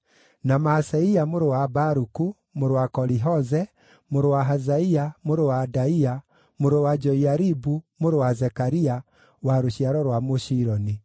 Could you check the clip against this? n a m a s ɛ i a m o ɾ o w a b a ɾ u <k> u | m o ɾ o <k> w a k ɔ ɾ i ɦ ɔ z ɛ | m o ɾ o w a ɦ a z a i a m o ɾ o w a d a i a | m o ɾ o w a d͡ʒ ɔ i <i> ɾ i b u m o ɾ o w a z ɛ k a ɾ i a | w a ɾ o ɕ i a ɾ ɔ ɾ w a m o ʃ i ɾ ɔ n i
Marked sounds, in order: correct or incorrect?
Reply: correct, incorrect: none, incorrect: a

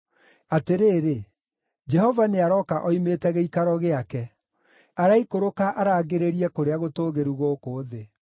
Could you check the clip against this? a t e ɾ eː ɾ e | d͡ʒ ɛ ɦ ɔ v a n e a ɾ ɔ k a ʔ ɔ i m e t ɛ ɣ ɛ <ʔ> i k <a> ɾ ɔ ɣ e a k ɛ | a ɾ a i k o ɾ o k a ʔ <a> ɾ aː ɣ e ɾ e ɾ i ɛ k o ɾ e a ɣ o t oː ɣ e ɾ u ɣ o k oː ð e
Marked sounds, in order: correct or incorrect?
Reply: incorrect: none, correct, correct

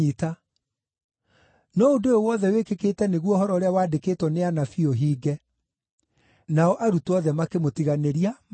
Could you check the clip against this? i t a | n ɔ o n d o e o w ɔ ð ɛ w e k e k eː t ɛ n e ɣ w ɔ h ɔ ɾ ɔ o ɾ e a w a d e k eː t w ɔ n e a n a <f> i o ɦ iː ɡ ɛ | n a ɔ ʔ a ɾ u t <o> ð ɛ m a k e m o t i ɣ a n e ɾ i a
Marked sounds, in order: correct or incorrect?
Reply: correct, incorrect: ɔ

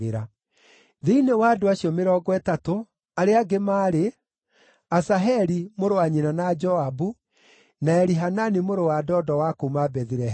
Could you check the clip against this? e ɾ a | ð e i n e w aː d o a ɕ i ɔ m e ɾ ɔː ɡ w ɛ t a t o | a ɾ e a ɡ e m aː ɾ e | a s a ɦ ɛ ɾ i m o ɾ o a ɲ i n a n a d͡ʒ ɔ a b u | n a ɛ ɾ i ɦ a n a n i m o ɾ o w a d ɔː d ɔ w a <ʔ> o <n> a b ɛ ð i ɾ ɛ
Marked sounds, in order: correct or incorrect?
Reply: incorrect: k, incorrect: m

